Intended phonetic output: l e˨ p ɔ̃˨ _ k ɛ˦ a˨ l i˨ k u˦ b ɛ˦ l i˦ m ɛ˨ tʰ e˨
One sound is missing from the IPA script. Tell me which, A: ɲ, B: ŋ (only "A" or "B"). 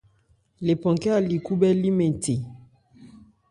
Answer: B